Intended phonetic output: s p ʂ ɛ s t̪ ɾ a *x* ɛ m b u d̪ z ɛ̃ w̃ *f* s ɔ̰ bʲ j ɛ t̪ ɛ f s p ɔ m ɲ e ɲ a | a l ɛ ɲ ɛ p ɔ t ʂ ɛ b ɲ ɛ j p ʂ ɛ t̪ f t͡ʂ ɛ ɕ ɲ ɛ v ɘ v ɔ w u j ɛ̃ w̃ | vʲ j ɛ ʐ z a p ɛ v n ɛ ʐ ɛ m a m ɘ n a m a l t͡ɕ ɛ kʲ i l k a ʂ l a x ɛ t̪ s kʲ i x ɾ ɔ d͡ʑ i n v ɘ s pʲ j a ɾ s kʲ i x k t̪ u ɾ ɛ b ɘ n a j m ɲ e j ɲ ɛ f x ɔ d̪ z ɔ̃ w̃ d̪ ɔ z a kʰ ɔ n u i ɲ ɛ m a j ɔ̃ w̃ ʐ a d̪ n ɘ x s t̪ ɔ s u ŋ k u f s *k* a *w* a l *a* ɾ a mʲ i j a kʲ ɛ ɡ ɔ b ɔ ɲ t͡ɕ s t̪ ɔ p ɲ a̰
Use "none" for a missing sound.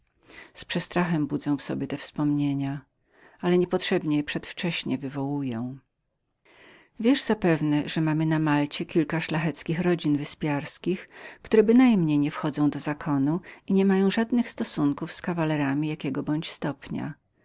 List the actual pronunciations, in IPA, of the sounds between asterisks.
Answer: x, f, k, v, ɛ

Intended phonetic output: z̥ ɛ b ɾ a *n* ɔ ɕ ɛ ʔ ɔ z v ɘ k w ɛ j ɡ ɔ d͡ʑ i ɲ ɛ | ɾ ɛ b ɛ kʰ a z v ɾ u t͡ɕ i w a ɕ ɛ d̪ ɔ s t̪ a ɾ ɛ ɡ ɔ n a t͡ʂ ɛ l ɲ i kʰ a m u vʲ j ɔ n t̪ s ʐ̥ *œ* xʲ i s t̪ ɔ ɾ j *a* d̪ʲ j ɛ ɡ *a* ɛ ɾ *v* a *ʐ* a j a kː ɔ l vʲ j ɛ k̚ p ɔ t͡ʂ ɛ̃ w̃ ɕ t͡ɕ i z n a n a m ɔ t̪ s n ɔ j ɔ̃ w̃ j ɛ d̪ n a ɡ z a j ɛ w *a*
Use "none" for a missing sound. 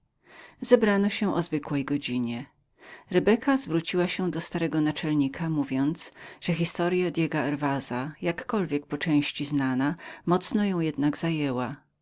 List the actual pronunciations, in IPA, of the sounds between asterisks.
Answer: n, ɛ, a, a, v, z, a

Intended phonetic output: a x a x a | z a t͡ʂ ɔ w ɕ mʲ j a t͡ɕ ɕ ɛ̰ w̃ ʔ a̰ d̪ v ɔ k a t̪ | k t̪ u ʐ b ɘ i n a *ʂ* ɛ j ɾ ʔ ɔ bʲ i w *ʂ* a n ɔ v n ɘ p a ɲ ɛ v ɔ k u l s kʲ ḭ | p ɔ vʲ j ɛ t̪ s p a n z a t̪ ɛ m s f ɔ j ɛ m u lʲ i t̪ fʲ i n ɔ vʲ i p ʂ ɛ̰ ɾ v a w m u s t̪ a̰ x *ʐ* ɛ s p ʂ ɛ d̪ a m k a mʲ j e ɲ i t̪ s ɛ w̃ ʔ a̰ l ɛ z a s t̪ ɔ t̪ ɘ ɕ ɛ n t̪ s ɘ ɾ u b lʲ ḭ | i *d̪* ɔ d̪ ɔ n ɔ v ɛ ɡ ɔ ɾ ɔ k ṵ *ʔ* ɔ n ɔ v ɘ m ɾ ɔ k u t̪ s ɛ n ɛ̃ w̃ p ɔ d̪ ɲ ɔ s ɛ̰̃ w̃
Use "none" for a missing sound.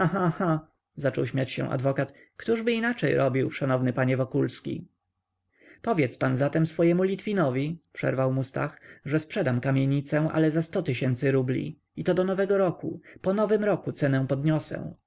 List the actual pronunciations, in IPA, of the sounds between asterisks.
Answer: t͡ʂ, ʂ, ʐ, t̪, p

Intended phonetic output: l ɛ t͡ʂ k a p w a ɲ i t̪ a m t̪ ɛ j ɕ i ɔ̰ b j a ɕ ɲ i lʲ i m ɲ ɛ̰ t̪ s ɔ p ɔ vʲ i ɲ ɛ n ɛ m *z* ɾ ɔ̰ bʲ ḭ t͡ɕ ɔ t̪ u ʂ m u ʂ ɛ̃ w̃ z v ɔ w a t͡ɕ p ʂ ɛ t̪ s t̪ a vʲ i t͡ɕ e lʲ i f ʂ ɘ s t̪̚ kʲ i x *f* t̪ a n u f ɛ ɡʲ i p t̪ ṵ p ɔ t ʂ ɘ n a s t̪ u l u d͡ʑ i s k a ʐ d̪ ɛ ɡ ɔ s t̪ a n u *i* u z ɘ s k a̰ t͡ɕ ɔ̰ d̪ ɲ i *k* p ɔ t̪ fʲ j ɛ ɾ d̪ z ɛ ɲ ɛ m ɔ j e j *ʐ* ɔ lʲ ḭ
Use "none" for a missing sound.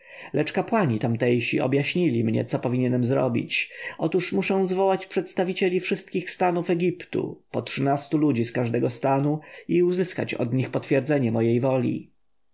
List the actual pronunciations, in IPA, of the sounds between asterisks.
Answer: z, s, i, x, v

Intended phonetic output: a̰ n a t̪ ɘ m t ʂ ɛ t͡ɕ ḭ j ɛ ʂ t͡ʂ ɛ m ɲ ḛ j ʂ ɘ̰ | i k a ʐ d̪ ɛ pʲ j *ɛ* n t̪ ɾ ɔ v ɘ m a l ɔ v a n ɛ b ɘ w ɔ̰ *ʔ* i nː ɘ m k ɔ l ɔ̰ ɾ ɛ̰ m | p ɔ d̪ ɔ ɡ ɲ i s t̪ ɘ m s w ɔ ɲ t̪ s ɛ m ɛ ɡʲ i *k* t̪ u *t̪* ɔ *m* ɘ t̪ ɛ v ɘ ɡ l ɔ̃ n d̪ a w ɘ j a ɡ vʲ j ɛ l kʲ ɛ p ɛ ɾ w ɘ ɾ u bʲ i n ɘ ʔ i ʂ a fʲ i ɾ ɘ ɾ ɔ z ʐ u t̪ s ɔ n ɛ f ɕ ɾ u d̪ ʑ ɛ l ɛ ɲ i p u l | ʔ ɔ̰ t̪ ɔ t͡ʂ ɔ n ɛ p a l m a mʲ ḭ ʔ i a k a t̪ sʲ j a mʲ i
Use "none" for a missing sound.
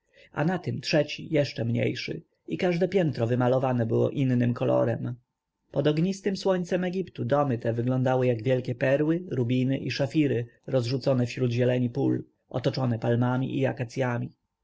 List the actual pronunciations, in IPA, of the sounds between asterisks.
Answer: ɛ, ʔ, p, d̪, m

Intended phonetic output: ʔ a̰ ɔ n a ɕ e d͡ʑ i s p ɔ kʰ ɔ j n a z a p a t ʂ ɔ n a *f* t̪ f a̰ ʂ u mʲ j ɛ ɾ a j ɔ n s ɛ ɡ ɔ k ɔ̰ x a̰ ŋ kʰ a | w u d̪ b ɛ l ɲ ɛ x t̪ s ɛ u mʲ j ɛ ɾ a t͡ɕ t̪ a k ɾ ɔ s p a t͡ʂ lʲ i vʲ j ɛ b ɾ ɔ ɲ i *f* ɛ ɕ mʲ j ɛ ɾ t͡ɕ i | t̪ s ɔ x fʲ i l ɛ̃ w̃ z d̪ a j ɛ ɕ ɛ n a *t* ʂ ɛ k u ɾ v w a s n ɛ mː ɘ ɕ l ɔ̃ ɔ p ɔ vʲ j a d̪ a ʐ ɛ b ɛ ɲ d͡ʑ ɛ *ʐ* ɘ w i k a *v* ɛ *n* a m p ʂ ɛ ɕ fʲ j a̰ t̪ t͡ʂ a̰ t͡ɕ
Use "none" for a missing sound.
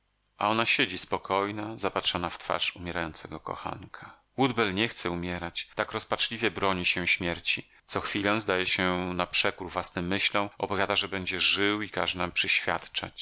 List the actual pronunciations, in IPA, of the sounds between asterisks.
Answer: f, ɕ, p, ʐ, ʐ, n

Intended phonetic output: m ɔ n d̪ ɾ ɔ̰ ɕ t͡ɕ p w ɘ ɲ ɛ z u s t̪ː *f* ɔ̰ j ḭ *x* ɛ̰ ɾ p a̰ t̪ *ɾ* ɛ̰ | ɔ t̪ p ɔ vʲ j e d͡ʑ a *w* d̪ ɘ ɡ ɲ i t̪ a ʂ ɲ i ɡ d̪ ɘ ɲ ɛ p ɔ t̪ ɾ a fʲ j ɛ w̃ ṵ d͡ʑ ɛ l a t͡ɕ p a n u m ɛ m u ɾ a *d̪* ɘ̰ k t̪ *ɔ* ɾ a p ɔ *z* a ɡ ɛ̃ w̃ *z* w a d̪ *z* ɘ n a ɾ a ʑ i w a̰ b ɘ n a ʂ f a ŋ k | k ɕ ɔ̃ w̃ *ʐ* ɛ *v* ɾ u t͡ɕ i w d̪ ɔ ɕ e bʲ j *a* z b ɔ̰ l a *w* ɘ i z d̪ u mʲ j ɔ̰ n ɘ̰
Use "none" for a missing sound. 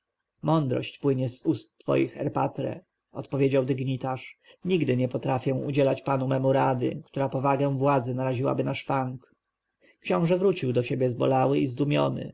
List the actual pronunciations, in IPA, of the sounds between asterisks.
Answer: f, x, ɾ, w, d̪, u, v, v, z, ʐ, v, ɛ, w

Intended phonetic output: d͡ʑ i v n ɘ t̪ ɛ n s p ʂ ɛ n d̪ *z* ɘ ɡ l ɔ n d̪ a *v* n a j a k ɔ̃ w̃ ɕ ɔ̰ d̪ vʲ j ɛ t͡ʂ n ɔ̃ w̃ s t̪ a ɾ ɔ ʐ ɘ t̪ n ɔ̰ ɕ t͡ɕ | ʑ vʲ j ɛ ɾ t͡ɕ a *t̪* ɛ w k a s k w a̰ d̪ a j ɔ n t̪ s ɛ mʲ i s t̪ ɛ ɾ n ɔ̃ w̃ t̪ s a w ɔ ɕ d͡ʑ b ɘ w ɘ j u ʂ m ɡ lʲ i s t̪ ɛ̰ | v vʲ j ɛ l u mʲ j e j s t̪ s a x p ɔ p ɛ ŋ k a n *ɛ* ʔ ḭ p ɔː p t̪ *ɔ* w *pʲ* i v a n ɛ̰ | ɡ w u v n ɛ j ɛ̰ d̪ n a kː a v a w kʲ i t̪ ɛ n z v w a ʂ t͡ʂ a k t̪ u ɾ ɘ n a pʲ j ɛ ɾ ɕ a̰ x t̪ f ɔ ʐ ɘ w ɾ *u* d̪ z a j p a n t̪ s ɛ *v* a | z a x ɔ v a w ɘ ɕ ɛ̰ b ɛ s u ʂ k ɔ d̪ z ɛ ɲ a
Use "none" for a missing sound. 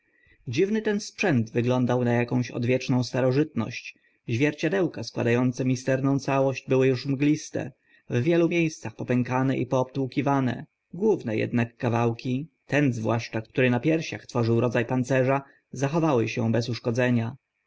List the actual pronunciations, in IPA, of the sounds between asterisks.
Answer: v, w, d̪, ɛ, u, kʲ, ɔ, ʐ

